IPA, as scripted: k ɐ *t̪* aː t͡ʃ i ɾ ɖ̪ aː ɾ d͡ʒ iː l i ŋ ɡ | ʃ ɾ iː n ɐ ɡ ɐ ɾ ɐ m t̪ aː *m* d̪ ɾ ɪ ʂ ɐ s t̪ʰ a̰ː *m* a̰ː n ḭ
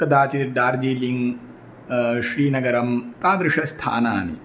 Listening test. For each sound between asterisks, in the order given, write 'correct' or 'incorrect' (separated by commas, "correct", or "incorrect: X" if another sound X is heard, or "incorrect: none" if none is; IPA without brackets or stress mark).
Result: incorrect: d̪, incorrect: none, incorrect: n